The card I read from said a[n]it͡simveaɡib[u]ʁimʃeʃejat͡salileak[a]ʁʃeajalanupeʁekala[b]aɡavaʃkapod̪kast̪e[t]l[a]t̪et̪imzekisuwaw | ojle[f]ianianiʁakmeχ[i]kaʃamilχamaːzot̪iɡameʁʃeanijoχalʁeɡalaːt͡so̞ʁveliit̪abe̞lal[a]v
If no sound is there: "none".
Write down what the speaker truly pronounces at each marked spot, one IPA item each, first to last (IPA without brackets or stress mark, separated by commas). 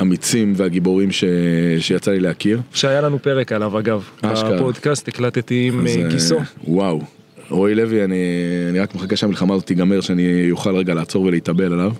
m, o, i, v, k, a, v, a, a